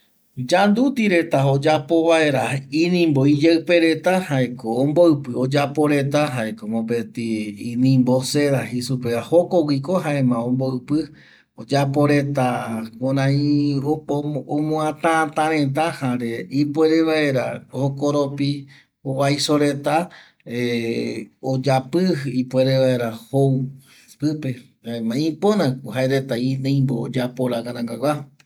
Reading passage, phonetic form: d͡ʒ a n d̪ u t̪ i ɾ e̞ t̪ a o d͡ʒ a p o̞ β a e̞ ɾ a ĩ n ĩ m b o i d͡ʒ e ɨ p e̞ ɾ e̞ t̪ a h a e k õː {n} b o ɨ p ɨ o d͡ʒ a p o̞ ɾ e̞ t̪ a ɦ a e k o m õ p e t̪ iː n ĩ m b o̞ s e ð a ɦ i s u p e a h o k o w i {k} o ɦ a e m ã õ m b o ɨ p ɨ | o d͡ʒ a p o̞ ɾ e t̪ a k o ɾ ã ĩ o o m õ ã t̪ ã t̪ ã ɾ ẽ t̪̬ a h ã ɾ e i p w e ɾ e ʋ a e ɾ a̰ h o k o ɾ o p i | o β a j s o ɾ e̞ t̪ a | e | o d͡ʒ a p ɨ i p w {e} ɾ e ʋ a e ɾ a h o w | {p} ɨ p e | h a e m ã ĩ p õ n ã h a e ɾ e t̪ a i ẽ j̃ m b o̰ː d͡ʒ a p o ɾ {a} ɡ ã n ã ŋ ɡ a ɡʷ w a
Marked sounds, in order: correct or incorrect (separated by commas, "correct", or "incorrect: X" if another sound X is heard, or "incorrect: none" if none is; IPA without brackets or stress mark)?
incorrect: m, correct, correct, correct, correct